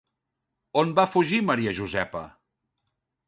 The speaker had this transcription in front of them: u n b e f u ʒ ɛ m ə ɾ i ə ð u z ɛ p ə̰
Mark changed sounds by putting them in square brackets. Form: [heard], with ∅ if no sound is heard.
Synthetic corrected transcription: [o] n b [a] f u ʒ [i] m ə ɾ i ə [ʒ] u z ɛ p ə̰